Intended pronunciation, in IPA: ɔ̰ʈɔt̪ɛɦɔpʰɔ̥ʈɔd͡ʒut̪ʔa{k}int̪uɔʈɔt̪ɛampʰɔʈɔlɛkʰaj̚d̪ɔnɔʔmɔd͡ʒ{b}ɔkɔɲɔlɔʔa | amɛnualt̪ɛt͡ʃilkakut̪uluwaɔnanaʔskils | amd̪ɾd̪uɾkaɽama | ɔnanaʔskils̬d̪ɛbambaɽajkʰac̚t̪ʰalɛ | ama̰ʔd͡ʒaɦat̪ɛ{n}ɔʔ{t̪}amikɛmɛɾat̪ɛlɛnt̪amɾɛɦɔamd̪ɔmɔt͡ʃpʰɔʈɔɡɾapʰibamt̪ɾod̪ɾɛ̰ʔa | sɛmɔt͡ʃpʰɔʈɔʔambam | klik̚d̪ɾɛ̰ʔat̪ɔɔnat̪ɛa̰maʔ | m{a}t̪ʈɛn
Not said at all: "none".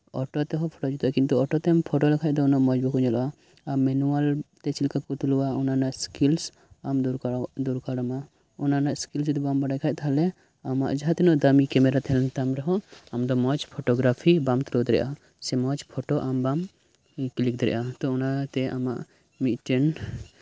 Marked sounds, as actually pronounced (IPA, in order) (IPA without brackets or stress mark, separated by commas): k, b, n, d̪, i